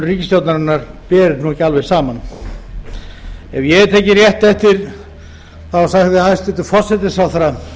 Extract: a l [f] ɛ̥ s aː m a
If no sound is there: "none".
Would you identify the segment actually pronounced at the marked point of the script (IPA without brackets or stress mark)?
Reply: v